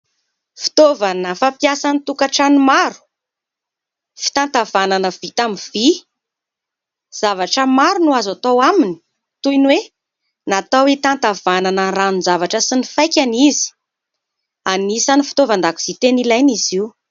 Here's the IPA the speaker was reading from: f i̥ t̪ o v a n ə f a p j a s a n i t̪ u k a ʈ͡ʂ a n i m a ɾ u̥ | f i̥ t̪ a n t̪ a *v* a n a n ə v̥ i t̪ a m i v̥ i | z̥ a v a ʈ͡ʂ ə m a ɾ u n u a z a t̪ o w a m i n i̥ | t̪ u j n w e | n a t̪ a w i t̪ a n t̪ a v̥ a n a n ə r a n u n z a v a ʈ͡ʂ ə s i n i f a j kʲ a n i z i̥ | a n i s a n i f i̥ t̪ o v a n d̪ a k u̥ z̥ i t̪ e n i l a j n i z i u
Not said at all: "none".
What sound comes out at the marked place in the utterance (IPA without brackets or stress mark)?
v